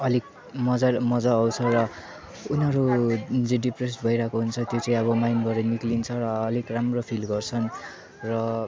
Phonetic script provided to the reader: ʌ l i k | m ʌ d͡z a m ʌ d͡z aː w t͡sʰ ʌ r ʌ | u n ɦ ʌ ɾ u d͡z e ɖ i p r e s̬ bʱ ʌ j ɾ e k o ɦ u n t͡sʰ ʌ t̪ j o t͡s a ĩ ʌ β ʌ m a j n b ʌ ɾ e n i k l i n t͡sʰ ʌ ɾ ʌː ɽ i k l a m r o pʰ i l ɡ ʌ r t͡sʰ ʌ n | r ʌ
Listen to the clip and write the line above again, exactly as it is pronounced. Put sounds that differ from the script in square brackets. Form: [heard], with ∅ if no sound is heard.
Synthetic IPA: ʌ l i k | m ʌ d͡z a m ʌ d͡z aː w t͡sʰ ʌ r ʌ | u n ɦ ʌ ɾ u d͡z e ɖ i p r e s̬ bʱ ʌ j ɾ [a] k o ɦ u n t͡sʰ ʌ t̪ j o t͡s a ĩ ʌ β ʌ m a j n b ʌ ɾ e n i k l i n t͡sʰ ʌ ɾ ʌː [l] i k [r] a m r o pʰ i l ɡ ʌ r t͡sʰ ʌ n | r ʌ